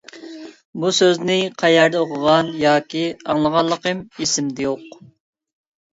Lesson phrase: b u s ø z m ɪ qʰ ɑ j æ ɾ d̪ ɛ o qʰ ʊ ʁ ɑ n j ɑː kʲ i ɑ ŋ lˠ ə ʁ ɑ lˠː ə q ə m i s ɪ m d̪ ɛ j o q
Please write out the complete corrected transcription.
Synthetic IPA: b u s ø z n ɪ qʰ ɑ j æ ɾ d̪ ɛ o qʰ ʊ ʁ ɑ n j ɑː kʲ i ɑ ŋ lˠ ə ʁ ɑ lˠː ə q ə m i s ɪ m d̪ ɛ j o q